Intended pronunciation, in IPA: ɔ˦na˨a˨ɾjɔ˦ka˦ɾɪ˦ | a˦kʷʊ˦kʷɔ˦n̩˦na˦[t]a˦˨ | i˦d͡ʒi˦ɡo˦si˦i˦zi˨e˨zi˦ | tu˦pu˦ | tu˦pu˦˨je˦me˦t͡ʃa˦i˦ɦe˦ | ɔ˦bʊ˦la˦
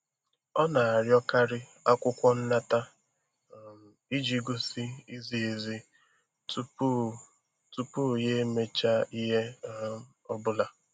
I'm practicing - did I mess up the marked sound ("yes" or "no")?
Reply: no